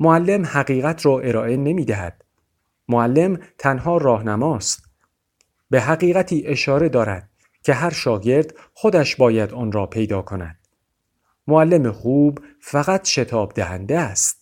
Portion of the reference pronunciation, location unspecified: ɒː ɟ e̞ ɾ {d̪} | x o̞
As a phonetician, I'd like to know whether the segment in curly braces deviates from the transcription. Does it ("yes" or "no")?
no